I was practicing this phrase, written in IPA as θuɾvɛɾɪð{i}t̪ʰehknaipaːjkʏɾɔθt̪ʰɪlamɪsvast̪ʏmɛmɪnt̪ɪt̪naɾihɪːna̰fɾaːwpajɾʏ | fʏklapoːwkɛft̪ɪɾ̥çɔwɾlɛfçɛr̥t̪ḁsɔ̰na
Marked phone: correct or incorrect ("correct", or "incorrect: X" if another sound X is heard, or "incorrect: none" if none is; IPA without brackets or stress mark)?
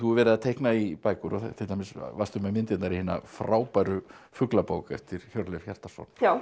incorrect: a